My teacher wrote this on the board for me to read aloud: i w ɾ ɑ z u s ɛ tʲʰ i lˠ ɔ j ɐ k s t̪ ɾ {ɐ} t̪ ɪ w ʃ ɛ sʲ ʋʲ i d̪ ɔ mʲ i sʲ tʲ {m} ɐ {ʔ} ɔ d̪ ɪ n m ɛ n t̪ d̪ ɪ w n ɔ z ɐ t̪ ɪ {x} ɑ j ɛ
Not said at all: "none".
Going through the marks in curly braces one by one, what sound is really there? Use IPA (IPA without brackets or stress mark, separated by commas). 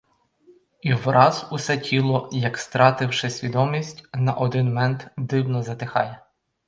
ɑ, n, ʔ, x